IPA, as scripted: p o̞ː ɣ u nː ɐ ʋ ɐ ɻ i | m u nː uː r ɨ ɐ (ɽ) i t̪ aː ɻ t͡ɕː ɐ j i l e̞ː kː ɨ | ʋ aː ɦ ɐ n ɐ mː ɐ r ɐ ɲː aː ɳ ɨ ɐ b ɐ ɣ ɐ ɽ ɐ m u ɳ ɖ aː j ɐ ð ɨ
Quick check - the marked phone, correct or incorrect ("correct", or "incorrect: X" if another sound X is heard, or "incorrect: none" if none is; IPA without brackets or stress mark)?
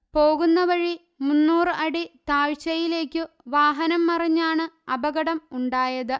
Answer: correct